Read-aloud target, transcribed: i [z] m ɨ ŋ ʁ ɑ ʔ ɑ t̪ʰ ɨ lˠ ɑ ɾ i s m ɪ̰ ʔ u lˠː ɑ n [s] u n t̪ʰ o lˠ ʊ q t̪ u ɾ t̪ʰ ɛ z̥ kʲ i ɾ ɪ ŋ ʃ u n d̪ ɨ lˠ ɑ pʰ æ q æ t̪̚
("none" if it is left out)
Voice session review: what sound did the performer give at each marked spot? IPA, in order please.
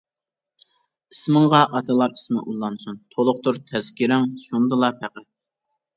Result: s, s

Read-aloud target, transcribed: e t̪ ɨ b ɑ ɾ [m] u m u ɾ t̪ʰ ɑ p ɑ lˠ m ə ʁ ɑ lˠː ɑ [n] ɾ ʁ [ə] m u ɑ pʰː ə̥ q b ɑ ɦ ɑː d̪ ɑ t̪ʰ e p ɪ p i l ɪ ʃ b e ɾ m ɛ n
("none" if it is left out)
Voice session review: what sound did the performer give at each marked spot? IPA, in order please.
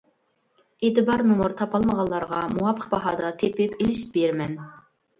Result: n, none, ɑ

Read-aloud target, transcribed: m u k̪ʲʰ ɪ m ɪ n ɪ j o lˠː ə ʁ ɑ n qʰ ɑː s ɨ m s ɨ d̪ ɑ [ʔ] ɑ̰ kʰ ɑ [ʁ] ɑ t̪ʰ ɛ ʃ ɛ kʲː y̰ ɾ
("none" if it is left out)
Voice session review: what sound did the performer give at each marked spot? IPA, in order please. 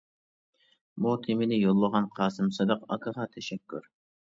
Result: q, ʁ

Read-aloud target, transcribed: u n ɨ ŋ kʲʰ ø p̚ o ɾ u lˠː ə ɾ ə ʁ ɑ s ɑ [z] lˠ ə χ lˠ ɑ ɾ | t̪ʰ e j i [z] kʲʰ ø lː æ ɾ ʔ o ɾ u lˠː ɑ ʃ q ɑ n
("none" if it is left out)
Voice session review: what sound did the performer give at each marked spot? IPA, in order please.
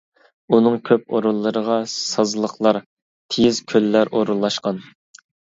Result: z, z

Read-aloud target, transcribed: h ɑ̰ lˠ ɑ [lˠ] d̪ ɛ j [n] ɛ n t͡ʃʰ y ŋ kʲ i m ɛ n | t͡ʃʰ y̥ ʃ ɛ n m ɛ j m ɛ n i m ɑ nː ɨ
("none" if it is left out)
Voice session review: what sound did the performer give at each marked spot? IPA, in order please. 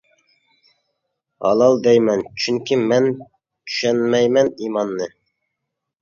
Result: lˠ, m

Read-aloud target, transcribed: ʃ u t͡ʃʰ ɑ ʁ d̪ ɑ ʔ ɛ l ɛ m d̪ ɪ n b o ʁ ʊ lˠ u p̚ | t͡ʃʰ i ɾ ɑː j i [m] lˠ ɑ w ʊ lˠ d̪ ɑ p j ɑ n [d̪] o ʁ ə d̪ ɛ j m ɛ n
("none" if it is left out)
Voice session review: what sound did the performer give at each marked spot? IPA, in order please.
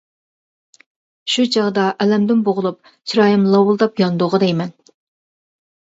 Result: m, d̪

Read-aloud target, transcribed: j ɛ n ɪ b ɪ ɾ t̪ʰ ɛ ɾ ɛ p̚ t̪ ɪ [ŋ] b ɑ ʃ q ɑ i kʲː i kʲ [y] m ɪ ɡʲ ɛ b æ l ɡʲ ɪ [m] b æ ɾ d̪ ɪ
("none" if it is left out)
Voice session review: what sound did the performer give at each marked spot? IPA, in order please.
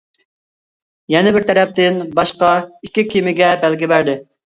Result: n, i, none

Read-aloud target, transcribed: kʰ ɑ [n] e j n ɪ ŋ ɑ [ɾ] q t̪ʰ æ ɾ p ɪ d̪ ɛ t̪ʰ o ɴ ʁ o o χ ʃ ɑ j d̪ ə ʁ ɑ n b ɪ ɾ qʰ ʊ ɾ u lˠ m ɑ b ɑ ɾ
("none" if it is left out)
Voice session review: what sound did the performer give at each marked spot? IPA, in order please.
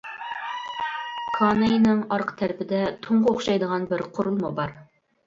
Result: n, ɾ

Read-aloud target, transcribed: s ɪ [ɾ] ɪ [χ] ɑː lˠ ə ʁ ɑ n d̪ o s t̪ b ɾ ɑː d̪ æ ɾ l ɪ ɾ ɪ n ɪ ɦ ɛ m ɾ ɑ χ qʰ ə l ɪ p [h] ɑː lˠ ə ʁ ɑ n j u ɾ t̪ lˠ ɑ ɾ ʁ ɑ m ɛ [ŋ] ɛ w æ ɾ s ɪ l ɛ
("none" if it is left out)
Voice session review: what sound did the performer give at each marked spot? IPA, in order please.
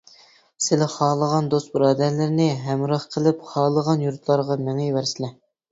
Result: l, χ, χ, ŋ

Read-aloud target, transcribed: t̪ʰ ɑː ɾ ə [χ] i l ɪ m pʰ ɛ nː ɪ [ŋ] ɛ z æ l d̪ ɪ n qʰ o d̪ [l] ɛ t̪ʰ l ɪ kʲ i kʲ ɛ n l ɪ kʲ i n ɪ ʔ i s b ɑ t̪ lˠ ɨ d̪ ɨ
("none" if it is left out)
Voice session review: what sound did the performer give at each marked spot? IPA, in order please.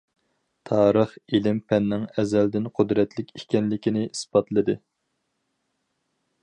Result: χ, ŋ, ɾ

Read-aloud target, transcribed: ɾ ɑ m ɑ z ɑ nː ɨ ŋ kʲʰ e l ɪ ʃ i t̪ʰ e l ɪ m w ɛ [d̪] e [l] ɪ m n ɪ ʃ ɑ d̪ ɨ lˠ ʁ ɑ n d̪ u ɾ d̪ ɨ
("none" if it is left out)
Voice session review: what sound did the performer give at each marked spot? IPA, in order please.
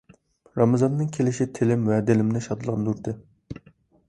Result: d̪, l

